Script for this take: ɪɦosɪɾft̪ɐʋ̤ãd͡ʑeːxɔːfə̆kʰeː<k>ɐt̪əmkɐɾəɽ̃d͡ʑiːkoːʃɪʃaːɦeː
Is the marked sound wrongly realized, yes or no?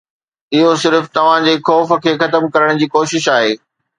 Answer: yes